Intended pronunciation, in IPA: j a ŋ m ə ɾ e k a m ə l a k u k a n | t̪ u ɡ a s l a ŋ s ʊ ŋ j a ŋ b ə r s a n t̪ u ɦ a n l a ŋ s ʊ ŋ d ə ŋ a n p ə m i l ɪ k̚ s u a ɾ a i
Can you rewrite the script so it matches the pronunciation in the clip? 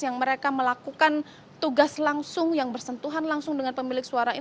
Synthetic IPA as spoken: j a ŋ m ə ɾ e k a m ə l a k u k a n | t̪ u ɡ a s l a ŋ s ʊ ŋ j a ŋ b ə r s ə n t̪ u ɦ a n l a ŋ s ʊ ŋ d ə ŋ a n p ə m i l ɪ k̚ s u a ɾ a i